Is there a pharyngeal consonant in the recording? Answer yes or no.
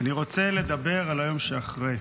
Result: no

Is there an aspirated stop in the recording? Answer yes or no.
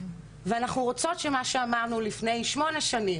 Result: no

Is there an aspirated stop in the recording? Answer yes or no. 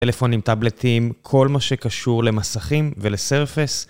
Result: yes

